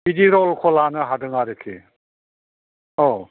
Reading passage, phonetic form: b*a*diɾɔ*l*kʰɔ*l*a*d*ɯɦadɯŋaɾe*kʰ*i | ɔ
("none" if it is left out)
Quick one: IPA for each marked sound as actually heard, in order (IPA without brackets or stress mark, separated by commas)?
i, l, l, n, kʰ